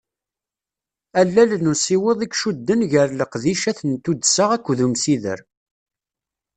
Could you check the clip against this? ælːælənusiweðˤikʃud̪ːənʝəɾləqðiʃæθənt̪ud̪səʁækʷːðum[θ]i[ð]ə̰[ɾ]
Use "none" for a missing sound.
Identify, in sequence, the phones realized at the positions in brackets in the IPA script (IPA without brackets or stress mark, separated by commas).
s, ð, ɾ